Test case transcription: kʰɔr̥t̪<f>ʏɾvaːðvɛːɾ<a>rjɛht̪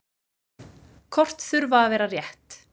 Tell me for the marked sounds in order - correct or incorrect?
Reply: incorrect: θ, correct

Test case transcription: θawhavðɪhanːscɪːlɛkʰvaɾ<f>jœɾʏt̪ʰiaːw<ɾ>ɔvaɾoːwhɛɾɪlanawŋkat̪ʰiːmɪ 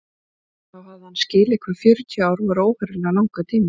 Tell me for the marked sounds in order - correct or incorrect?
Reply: correct, correct

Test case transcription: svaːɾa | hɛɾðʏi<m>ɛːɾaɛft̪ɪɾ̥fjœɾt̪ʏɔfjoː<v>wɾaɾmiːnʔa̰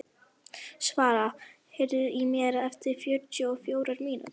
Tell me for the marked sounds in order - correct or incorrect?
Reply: correct, incorrect: none

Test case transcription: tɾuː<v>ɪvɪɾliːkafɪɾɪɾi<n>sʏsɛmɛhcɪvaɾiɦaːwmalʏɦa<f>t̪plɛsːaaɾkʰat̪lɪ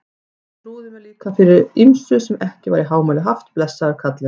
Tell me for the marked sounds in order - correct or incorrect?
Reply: incorrect: ð, incorrect: m, correct

